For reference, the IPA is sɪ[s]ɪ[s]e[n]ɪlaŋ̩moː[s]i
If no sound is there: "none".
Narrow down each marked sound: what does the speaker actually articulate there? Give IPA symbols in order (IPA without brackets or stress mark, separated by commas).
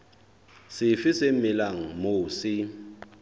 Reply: f, s, m, s